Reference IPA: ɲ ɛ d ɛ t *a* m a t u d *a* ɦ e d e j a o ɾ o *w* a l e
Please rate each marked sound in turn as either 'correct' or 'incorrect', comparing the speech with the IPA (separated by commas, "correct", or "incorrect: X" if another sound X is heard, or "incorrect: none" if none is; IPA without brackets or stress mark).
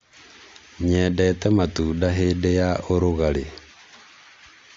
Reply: incorrect: ɛ, correct, incorrect: ɣ